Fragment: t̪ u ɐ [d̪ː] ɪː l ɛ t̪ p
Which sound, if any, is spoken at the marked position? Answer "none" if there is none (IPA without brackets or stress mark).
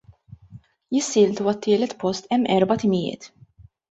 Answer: t̪ː